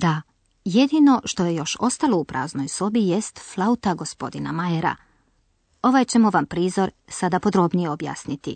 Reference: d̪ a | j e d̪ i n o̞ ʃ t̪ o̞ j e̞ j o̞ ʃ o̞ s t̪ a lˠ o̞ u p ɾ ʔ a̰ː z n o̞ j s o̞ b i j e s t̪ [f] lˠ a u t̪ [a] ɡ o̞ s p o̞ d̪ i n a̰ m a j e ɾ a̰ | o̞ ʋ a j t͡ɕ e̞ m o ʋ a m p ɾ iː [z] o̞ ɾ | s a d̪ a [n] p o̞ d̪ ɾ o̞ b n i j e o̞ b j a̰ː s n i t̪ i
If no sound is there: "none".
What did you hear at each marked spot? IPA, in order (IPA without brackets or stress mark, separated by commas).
f, a, z, none